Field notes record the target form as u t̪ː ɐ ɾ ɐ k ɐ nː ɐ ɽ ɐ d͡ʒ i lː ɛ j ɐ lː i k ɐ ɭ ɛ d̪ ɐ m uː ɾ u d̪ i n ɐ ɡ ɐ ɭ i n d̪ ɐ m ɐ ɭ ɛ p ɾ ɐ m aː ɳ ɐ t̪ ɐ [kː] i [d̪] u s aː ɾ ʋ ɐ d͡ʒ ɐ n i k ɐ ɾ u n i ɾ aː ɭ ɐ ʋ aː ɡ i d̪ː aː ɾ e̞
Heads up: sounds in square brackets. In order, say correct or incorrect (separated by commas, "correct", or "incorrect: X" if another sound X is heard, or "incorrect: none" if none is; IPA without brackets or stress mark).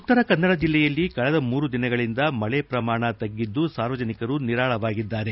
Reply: incorrect: ɡː, incorrect: d̪ː